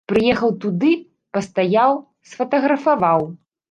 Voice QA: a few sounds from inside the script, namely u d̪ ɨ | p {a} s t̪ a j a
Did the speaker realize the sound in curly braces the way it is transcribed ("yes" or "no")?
no